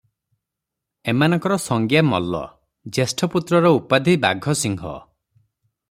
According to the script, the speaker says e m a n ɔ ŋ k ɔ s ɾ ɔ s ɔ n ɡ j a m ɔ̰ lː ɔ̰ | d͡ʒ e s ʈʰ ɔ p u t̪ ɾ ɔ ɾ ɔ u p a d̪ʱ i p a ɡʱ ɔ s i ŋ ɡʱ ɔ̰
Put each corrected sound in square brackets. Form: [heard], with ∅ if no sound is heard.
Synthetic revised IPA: e m a n ɔ ŋ k ɔ [∅] ɾ ɔ s ɔ [ŋ] ɡ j a m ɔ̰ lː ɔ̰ | d͡ʒ e s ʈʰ ɔ p u t̪ ɾ ɔ ɾ ɔ u p a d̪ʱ i [b] a ɡʱ ɔ s i ŋ ɡʱ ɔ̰